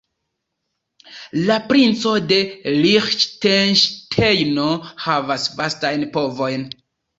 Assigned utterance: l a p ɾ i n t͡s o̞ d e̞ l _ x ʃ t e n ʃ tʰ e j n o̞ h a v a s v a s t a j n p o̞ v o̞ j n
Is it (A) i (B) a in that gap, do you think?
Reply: A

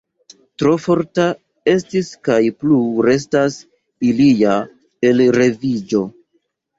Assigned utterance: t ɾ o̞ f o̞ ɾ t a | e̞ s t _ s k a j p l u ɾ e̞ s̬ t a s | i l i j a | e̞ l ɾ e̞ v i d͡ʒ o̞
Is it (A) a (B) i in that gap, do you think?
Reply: B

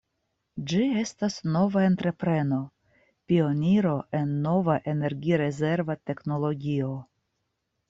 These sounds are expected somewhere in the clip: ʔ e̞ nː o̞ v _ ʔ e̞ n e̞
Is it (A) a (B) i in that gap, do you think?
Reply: A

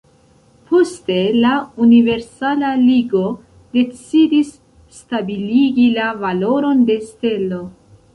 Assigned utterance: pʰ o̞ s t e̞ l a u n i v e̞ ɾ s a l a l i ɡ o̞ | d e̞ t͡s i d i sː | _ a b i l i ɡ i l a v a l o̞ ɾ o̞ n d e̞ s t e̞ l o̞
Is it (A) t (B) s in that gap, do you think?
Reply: A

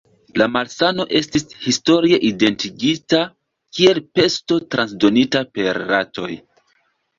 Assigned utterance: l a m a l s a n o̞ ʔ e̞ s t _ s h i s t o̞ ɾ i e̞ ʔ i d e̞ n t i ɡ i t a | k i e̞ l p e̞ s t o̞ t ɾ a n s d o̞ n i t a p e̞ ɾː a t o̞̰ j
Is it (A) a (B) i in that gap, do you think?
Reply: B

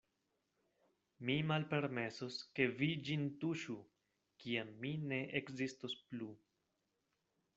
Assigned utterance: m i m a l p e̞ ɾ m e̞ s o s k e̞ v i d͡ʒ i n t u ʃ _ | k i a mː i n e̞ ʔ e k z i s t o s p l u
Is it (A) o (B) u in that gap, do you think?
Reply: B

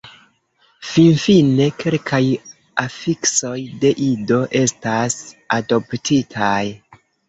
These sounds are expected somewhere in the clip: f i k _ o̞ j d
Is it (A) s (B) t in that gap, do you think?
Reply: A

